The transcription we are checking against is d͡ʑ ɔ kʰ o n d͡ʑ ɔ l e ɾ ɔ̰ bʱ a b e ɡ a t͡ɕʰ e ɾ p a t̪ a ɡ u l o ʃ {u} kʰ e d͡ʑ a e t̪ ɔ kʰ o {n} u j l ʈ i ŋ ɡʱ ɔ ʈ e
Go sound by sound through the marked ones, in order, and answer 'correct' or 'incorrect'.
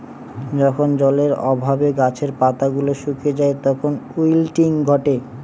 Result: correct, correct

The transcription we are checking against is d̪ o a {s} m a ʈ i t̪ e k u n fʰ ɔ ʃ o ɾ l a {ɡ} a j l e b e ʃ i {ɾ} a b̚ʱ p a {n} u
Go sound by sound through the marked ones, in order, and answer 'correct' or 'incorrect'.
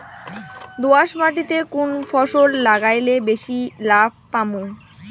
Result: incorrect, correct, incorrect, incorrect

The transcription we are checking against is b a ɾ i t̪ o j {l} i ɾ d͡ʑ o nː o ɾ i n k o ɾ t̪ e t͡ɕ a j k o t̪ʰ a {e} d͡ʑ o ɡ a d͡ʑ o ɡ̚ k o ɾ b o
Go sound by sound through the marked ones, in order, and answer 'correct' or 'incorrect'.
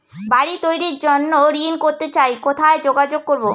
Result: incorrect, correct

